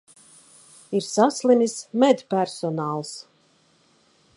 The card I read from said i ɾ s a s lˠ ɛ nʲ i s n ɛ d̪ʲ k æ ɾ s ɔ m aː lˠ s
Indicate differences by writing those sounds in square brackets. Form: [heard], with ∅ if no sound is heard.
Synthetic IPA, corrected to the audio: i ɾ s a s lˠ [i] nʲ i s [m] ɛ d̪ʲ [p] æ ɾ s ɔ [n] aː lˠ s